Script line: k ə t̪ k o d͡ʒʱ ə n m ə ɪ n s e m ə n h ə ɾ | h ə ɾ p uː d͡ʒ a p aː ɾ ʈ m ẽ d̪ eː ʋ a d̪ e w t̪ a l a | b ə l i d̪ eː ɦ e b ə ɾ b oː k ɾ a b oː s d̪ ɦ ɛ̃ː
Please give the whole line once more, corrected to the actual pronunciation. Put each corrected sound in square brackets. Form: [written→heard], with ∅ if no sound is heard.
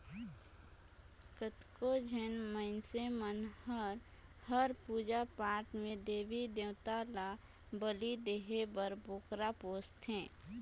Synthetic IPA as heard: k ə t̪ k o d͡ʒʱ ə n m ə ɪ n s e m ə n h ə ɾ | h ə ɾ p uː d͡ʒ a p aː ɾ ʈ m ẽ d̪ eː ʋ [a→i] d̪ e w t̪ a l a | b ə l i d̪ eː ɦ e b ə ɾ b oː k ɾ a [b→p] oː s [d̪→t̪] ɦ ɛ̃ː